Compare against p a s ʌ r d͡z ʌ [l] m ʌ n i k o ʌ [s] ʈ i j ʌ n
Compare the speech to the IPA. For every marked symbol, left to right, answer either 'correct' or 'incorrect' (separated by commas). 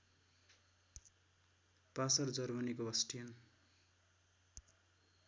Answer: incorrect, correct